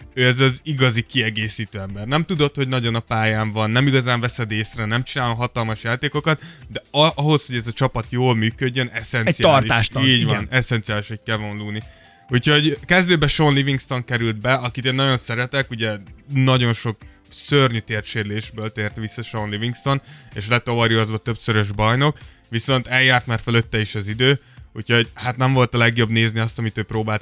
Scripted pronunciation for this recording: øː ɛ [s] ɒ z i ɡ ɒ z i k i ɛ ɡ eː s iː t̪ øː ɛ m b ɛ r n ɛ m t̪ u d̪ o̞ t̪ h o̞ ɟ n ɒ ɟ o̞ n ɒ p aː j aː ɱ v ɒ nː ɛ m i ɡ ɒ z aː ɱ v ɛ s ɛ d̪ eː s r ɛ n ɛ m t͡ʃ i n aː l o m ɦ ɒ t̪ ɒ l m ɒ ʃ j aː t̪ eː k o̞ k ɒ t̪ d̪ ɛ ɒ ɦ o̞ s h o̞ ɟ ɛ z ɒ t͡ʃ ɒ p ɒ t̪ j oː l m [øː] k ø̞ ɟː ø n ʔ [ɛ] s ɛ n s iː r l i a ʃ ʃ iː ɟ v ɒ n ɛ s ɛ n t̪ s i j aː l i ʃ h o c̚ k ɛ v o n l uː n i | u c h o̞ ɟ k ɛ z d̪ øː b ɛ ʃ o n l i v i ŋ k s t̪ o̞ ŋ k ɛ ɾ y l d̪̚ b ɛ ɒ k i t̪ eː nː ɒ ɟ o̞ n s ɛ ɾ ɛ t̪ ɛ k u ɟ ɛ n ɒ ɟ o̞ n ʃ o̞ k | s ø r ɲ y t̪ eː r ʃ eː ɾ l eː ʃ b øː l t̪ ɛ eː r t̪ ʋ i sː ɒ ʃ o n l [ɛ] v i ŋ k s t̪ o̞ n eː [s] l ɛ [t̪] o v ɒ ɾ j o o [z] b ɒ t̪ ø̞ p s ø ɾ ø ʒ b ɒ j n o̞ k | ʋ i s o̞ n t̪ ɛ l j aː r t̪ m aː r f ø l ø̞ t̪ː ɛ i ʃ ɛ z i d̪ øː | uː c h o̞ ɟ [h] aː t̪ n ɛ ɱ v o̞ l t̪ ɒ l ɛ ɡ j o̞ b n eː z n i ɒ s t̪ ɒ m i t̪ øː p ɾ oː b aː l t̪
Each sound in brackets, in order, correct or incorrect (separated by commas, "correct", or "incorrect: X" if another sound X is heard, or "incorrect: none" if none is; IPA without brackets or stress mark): incorrect: z, incorrect: yː, correct, incorrect: i, incorrect: ʃ, correct, correct, correct